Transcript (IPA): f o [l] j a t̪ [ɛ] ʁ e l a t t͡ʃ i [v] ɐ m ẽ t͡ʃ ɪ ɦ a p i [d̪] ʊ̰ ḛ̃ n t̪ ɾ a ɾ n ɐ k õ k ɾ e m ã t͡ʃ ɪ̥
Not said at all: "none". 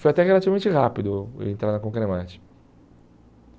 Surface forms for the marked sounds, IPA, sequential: none, ɛ, v, d̪

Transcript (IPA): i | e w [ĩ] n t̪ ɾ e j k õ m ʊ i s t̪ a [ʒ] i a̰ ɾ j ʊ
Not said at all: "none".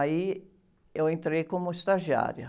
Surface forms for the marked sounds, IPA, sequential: ẽ, ʒ

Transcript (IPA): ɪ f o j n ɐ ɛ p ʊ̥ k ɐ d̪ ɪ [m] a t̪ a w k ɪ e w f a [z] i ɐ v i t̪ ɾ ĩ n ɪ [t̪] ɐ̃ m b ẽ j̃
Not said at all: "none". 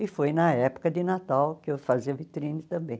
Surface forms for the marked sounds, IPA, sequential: n, z, t̪

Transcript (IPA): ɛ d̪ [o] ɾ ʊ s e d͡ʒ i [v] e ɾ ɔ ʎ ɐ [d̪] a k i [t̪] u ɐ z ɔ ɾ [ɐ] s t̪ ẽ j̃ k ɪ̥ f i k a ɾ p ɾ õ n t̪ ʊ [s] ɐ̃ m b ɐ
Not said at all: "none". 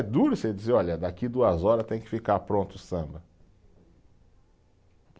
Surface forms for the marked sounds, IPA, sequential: u, z, d̪, d̪, ɐ, s

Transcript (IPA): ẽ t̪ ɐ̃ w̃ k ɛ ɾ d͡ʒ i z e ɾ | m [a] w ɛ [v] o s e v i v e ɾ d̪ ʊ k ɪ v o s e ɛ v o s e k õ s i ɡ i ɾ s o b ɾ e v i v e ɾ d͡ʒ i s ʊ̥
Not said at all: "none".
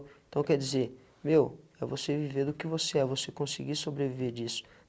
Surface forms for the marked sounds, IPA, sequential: e, v

